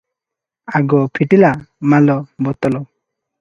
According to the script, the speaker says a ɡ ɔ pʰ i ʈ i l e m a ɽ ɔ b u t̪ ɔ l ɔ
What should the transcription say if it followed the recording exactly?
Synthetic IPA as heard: a ɡ ɔ pʰ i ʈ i l a m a l ɔ b ɔ t̪ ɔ l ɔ